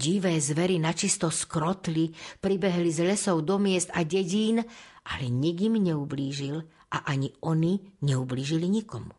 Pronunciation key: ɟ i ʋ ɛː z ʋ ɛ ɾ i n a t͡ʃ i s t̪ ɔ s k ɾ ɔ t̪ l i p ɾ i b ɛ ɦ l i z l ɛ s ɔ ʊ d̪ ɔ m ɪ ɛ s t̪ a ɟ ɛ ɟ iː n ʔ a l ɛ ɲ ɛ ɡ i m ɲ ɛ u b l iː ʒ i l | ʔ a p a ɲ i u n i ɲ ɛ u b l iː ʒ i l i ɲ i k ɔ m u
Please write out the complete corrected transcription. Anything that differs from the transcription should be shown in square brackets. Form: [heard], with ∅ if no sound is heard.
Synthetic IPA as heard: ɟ i ʋ ɛː z ʋ ɛ ɾ i n a t͡ʃ i s t̪ ɔ s k ɾ ɔ t̪ l i p ɾ i b ɛ ɦ l i z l ɛ s ɔ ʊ d̪ ɔ m ɪ ɛ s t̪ a ɟ ɛ ɟ iː n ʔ a l ɛ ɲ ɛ ɡ i m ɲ ɛ u b l iː ʒ i l | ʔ a [ʔ] a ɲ i [ɔ] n i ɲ ɛ u b l iː ʒ i l i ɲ i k ɔ m u